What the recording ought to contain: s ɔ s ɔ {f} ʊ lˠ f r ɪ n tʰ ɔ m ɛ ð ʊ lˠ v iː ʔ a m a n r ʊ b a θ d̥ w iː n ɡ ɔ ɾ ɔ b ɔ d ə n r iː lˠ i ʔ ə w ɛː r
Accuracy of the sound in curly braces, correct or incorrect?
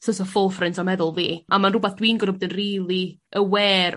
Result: correct